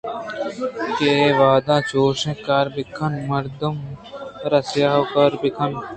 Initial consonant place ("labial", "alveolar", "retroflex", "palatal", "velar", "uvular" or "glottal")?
velar